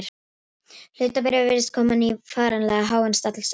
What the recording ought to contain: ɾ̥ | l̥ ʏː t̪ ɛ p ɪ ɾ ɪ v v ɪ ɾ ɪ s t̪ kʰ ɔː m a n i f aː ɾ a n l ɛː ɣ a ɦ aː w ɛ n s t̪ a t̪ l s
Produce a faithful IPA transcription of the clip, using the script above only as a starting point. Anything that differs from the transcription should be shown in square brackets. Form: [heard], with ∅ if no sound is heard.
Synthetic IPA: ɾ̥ | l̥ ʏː t̪ [a] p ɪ ɾ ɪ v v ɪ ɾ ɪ s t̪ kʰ ɔː m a n i f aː ɾ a n l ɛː ɣ a ɦ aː w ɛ n s t̪ a t̪ l s